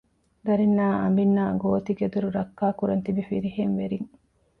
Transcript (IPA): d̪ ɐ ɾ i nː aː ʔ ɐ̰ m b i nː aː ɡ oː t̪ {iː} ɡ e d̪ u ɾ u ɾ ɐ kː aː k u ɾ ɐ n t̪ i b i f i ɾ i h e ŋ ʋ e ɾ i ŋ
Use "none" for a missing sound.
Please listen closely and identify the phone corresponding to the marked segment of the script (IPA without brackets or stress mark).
i